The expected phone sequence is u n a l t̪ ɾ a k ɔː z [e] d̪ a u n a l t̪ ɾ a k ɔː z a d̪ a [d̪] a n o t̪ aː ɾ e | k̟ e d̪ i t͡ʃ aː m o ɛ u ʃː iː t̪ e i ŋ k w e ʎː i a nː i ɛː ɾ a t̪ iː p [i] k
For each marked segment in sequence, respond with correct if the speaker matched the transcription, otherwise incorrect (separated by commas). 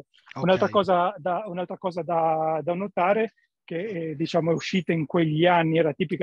incorrect, correct, correct